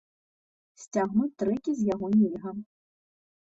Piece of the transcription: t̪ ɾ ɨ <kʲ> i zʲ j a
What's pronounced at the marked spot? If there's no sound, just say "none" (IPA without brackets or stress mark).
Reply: kʲ